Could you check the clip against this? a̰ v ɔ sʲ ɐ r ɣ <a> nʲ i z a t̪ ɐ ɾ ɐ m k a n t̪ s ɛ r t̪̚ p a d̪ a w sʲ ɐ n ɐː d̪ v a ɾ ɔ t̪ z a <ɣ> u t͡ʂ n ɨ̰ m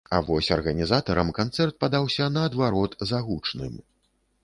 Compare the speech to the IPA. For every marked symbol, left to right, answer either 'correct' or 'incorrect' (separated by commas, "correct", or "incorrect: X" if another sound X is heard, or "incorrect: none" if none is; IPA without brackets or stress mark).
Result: incorrect: ɐ, correct